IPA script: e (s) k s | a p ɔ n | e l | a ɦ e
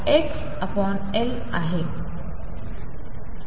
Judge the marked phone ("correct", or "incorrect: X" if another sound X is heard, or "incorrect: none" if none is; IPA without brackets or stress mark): incorrect: none